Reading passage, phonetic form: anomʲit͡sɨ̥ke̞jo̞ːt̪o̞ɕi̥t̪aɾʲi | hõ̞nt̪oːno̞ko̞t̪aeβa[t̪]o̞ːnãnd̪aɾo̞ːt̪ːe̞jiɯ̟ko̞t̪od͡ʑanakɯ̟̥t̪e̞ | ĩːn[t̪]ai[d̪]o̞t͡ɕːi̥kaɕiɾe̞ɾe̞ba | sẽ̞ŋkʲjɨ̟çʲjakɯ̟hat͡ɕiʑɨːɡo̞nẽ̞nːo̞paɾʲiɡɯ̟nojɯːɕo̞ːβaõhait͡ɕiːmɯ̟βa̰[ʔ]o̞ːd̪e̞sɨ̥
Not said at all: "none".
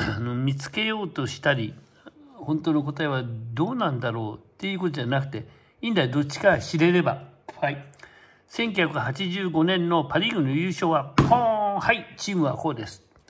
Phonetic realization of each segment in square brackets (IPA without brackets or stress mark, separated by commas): d̪, d̪, d̪, k